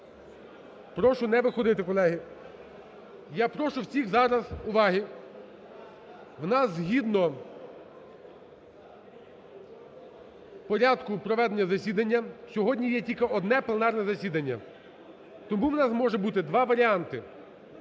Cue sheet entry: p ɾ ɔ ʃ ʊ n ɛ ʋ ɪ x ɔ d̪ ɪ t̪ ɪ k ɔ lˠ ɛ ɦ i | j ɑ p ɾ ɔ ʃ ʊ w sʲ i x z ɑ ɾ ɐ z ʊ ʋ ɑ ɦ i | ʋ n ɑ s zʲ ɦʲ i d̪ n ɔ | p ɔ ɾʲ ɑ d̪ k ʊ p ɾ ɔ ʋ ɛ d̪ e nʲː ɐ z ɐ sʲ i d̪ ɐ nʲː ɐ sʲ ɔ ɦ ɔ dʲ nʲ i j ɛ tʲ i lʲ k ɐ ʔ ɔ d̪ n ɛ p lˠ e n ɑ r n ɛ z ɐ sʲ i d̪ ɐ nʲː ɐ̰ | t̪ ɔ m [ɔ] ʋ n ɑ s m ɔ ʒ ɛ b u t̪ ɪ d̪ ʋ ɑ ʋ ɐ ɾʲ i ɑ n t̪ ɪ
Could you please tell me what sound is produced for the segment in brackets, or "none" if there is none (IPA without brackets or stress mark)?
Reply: u